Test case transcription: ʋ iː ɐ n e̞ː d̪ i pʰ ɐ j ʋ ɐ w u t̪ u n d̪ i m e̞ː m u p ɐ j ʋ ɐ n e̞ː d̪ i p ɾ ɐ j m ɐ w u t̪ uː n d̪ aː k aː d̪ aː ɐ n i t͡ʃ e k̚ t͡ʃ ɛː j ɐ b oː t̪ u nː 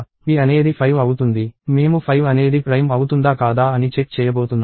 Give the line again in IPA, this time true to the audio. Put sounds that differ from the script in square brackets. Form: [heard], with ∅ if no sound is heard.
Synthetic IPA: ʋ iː ɐ n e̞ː d̪ i pʰ ɐ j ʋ ɐ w u t̪ u n d̪ i m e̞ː m u [pʰ] ɐ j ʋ ɐ n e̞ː d̪ i p ɾ ɐ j m ɐ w u t̪ [u] n d̪ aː k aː d̪ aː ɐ n i t͡ʃ e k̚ t͡ʃ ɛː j ɐ b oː t̪ u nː